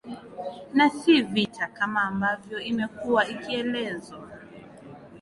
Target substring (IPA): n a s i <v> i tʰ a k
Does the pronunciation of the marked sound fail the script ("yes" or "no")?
no